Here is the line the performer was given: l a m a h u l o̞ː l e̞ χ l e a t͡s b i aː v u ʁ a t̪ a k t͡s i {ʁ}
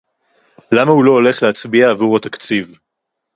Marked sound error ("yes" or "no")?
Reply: yes